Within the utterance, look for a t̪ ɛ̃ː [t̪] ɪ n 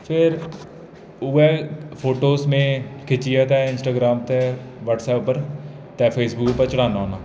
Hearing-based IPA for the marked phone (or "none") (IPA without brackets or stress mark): none